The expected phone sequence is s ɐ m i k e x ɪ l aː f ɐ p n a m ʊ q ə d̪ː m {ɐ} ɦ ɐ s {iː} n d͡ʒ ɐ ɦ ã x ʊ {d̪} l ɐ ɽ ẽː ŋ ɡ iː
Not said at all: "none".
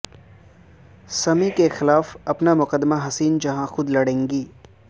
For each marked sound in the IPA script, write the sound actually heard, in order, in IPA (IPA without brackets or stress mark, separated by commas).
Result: a, iː, d̪